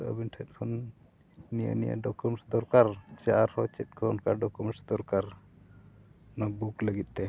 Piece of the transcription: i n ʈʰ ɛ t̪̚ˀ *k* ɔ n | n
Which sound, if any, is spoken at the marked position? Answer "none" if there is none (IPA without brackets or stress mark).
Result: kʰ